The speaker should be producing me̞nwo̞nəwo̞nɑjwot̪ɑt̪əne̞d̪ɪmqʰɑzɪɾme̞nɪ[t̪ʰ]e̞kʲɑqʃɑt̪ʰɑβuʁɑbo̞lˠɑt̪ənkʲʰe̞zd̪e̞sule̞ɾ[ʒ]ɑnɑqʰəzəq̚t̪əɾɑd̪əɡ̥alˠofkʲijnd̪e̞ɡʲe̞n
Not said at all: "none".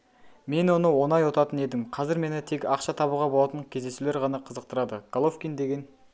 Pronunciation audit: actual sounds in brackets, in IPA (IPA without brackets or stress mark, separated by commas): t̪ʰ, ʁ